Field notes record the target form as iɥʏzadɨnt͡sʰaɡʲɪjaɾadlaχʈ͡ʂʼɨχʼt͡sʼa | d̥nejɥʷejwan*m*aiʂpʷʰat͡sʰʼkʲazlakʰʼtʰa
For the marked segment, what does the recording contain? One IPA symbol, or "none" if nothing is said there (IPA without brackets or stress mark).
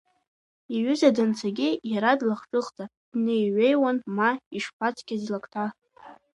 m